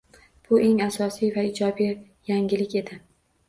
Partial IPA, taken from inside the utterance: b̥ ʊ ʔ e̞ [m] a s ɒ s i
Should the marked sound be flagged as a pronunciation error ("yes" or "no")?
yes